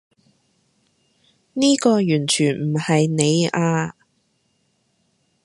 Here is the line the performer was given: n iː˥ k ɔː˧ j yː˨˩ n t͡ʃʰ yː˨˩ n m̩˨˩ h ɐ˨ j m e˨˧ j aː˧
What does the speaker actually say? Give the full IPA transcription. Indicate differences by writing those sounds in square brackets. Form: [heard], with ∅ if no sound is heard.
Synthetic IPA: n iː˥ k ɔː˧ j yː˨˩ n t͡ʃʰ yː˨˩ n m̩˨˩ h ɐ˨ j [n] e˨˧ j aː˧